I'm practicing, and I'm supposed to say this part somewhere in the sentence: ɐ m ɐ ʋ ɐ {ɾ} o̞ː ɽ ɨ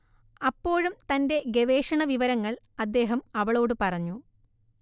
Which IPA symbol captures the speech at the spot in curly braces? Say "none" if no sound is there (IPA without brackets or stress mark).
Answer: ɭ